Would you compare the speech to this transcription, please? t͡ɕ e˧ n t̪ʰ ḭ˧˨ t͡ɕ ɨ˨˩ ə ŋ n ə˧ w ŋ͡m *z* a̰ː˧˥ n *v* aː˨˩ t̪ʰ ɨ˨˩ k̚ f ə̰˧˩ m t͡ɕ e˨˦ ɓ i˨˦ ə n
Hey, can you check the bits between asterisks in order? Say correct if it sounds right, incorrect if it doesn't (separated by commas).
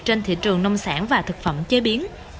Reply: incorrect, correct